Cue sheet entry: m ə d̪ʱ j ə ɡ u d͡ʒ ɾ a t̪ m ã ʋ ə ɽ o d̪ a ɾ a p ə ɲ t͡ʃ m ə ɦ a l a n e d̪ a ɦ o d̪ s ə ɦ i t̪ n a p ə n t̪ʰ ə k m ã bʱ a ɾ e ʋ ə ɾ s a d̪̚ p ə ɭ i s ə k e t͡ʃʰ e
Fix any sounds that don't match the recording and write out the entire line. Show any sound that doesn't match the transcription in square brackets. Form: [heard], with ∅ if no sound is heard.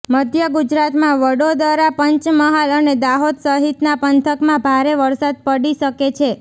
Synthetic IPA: m ə d̪ʱ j ə ɡ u d͡ʒ ɾ a t̪ m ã ʋ ə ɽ o d̪ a ɾ a p ə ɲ t͡ʃ m ə ɦ a l [ə] n e d̪ a ɦ o d̪ s ə ɦ i t̪ n a p ə n t̪ʰ ə k m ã bʱ a ɾ e ʋ ə ɾ s a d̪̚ p ə [ɽ] i [ʃ] ə k e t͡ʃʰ e